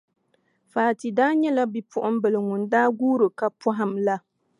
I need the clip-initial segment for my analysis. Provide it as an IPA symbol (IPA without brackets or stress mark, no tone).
f